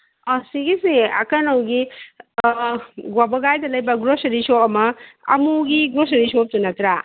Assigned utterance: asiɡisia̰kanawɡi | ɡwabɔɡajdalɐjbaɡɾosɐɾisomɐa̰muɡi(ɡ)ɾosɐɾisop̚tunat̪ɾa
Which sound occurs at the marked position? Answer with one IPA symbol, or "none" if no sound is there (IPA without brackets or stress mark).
ɡ